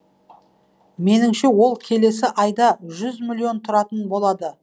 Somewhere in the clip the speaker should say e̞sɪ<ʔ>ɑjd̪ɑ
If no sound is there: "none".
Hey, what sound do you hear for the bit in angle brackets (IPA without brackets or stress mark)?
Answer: ʔ